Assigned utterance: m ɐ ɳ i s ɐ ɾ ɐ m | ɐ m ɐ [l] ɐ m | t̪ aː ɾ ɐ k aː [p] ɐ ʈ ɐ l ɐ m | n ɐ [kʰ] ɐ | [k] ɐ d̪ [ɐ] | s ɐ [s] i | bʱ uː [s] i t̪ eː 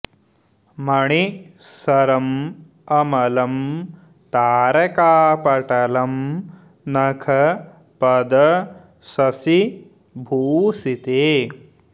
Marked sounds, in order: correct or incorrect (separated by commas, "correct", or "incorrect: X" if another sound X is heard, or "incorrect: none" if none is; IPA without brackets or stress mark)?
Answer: correct, correct, correct, incorrect: p, correct, correct, correct